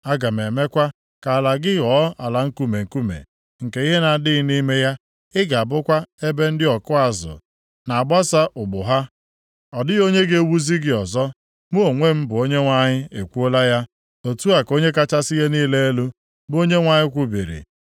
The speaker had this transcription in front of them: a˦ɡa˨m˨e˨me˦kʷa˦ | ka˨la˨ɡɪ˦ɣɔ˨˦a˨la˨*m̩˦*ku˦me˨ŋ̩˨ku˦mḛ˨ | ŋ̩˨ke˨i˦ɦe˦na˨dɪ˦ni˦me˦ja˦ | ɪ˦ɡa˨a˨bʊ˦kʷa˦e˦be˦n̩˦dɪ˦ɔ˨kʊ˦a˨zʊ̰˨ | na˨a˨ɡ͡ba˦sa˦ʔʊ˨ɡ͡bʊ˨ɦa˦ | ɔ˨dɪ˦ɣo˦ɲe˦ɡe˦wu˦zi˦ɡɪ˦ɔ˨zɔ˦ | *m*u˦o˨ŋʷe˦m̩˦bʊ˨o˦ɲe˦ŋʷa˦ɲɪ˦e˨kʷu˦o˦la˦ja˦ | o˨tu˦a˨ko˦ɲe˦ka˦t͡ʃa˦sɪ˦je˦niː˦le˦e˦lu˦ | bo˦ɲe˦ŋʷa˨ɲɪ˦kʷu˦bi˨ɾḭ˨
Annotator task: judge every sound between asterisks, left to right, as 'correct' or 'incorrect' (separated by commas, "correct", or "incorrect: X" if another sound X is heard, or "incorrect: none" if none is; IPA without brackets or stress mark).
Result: incorrect: ŋ̩˦, correct